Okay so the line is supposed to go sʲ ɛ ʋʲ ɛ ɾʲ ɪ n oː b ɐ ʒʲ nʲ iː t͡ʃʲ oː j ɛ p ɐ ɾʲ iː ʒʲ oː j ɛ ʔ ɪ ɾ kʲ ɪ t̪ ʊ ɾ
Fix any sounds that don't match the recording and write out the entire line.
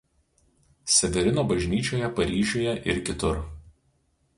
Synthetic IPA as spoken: sʲ ɛ ʋʲ ɛ ɾʲ ɪ n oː b ɐ ʒʲ nʲ iː t͡ʃʲ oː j ɛ p ɐ ɾʲ iː ʒʲ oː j ɛ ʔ ɪ ɾ kʲ ɪ t̪ ʊ ɾ

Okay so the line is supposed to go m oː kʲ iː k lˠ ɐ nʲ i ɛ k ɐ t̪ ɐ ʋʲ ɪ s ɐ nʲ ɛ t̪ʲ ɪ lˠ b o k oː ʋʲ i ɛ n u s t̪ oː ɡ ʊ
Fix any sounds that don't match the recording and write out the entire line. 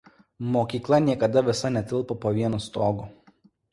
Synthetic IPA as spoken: m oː kʲ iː k lˠ ɐ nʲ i ɛ k ɐ d̪ ɐ ʋʲ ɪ s ɐ nʲ ɛ t̪ʲ ɪ lˠ p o p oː ʋʲ i ɛ n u s t̪ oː ɡ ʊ

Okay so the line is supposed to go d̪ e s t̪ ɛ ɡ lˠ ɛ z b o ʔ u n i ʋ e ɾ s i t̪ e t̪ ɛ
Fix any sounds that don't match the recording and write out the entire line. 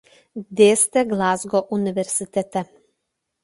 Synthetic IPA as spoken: d̪ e s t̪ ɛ ɡ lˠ a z ɡ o ʔ u n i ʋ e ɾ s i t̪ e t̪ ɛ

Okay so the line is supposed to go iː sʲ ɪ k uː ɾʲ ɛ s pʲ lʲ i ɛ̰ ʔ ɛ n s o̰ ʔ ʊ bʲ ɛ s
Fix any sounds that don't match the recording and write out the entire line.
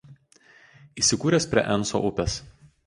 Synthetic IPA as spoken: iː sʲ ɪ k uː ɾʲ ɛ s pʲ ɾʲ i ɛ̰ ʔ ɛ n s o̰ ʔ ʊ pʲ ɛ s

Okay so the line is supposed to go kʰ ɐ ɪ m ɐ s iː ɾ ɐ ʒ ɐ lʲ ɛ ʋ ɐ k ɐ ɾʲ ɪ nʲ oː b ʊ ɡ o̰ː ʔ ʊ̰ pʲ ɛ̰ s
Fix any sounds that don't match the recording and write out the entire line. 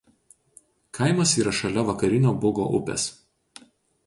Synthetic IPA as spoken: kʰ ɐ ɪ m ɐ s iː ɾ ɐ ʃ ɐ lʲ ɛ ʋ ɐ k ɐ ɾʲ ɪ nʲ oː b ʊ ɡ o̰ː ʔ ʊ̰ pʲ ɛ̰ s

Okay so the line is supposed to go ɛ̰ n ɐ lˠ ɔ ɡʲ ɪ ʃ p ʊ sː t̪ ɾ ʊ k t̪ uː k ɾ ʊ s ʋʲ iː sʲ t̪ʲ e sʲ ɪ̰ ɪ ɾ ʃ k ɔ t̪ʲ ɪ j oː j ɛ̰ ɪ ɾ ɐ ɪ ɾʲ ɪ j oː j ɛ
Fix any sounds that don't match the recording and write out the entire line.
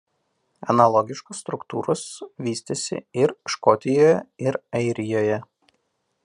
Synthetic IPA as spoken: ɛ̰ n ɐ lˠ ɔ ɡʲ ɪ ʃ k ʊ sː t̪ ɾ ʊ k t̪ uː ɾ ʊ s ʋʲ iː sʲ t̪ʲ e sʲ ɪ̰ ɪ ɾ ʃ k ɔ t̪ʲ ɪ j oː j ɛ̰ ɪ ɾ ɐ ɪ ɾʲ ɪ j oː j ɛ

